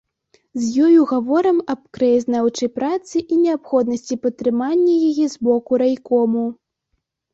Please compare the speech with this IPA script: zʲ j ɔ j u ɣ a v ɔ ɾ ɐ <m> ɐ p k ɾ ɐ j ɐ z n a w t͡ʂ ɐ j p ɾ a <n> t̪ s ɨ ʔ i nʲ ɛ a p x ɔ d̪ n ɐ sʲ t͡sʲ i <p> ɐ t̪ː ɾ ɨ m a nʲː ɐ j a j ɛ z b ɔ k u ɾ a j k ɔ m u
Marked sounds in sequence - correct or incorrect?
correct, incorrect: none, correct

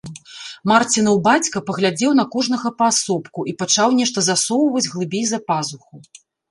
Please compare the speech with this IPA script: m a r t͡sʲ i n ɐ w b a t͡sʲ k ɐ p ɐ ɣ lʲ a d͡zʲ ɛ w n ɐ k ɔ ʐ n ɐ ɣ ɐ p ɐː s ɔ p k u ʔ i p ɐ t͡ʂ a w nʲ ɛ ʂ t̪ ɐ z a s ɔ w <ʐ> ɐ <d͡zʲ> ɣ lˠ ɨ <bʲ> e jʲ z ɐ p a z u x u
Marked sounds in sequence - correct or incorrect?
incorrect: v, correct, correct

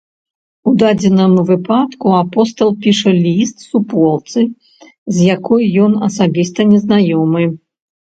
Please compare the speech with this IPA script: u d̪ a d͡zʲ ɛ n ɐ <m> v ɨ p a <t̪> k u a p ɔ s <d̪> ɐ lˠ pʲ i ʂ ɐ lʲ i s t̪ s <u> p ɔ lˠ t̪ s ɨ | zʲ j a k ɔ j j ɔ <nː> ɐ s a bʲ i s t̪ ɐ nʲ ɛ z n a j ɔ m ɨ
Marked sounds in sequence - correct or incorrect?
correct, correct, incorrect: t̪, correct, incorrect: n

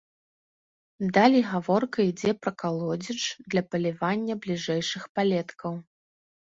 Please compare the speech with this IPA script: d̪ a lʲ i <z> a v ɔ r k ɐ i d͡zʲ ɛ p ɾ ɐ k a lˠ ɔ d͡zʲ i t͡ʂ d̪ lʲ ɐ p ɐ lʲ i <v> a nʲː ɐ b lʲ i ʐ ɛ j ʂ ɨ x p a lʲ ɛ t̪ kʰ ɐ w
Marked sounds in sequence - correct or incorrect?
incorrect: ɣ, correct

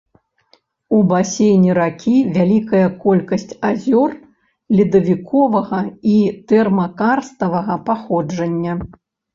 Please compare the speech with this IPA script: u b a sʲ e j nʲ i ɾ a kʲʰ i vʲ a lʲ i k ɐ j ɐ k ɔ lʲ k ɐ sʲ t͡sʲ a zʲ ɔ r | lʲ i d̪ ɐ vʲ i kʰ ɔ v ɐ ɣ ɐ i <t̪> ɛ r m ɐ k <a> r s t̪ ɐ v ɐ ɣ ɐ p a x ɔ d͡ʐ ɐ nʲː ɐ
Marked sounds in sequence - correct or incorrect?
correct, correct

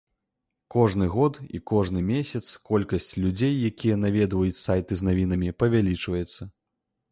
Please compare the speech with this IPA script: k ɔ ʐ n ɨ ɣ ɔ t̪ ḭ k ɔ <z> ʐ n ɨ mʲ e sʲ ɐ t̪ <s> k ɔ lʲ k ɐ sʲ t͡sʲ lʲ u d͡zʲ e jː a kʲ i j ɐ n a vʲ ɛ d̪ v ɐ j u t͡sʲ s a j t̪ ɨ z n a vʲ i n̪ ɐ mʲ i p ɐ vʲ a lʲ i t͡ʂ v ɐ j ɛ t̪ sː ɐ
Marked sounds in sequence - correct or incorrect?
incorrect: none, correct

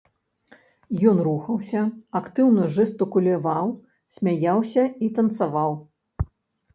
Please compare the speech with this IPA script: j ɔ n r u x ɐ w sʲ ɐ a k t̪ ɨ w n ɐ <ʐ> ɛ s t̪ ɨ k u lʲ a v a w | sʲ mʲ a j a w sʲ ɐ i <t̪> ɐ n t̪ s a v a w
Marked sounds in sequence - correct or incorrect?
correct, correct

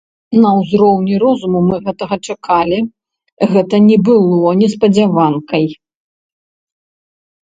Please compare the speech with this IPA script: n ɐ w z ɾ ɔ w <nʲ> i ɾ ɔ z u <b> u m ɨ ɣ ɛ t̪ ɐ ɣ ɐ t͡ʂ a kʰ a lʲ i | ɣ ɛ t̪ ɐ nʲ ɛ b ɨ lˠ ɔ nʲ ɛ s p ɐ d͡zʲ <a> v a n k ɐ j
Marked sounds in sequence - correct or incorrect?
correct, incorrect: m, correct

